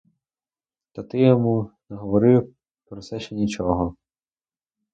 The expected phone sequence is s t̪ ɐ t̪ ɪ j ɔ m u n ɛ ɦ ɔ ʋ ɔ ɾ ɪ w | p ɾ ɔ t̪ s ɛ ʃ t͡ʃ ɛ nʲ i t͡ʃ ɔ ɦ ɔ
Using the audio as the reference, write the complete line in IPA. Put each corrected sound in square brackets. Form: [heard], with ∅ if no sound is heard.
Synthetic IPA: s t̪ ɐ t̪ ɪ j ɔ m u n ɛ ɦ ɔ ʋ ɔ ɾ ɪ w | p ɾ ɔ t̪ s ɛ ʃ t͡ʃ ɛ nʲ i t͡ʃ ɔ ɦ ɔ